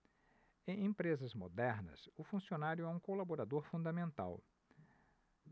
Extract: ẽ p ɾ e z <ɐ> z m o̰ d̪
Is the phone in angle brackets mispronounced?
no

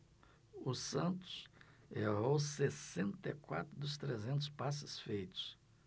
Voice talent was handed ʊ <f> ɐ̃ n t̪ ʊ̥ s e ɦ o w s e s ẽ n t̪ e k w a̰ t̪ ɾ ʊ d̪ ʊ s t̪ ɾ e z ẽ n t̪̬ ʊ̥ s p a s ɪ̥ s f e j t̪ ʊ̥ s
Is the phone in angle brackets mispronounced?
yes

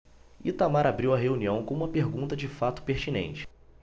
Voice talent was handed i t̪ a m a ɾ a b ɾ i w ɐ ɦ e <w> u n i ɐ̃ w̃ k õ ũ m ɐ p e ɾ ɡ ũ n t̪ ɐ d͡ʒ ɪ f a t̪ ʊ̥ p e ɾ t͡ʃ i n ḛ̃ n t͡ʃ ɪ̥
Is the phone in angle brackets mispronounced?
yes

